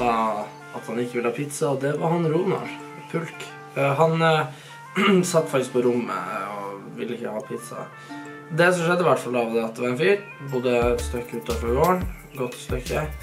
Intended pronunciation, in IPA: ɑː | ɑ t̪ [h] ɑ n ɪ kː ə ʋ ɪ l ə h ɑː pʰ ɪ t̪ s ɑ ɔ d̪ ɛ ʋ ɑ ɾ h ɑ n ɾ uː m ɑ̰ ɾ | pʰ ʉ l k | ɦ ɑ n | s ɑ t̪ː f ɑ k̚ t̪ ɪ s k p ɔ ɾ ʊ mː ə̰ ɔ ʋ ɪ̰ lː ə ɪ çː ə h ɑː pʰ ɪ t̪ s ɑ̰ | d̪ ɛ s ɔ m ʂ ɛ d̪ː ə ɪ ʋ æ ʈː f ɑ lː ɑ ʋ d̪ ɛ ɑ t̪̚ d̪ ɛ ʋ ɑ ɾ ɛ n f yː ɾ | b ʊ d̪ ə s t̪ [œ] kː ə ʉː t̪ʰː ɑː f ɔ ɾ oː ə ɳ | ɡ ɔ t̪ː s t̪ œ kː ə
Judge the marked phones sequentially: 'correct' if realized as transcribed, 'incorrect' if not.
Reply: correct, correct

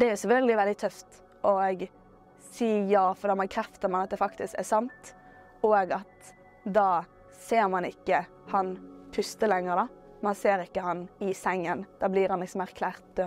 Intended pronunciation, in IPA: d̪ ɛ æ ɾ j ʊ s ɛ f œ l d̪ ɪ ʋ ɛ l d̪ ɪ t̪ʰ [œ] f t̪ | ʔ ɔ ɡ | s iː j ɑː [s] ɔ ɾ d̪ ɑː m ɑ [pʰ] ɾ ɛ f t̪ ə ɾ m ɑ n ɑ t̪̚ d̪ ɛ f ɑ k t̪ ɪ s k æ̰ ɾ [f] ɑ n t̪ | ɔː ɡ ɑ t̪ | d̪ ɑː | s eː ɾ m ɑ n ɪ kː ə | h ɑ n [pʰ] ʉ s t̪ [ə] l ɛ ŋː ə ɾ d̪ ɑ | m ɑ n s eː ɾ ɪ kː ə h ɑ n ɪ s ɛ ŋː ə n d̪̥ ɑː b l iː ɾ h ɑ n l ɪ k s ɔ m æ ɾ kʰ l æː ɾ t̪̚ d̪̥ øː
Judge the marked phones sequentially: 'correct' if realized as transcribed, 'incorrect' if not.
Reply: correct, incorrect: f, incorrect: kʰ, incorrect: s, correct, correct

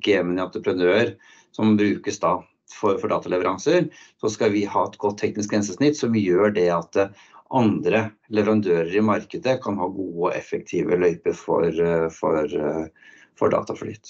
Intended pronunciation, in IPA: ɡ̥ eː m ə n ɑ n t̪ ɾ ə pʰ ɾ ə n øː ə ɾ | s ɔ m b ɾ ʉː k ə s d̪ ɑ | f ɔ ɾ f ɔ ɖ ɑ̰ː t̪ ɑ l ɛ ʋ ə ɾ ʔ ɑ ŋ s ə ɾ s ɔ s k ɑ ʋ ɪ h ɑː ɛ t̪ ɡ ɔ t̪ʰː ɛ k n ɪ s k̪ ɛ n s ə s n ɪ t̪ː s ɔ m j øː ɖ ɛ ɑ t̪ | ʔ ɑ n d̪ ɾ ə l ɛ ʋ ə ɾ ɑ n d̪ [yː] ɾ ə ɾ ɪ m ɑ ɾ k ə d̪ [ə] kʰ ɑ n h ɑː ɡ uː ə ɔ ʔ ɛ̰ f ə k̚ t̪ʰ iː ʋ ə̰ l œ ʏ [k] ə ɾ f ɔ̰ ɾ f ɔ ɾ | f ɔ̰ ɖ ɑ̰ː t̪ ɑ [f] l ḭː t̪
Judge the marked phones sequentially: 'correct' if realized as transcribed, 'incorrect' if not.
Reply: incorrect: øː, correct, incorrect: p, correct

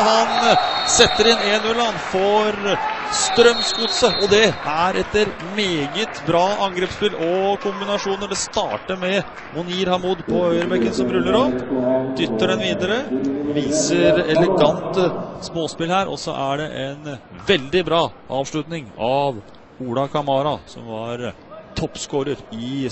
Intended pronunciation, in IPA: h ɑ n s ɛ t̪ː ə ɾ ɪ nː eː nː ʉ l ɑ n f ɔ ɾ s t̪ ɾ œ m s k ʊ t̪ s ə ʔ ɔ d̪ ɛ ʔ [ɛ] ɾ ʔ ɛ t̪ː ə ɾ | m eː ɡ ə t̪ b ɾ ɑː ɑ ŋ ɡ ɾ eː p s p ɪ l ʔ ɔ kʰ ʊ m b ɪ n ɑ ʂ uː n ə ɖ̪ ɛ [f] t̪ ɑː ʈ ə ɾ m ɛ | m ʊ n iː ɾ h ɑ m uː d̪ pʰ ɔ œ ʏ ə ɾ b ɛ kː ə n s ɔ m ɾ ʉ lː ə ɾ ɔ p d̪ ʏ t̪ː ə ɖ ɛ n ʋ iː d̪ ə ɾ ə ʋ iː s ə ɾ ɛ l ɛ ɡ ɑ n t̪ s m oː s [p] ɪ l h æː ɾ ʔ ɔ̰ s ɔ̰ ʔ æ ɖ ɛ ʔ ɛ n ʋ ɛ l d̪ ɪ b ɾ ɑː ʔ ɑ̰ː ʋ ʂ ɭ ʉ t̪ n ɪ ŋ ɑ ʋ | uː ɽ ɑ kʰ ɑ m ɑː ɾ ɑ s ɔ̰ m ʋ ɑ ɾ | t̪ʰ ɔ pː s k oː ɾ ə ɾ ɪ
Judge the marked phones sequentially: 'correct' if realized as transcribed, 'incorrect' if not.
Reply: incorrect: æ, incorrect: s, correct

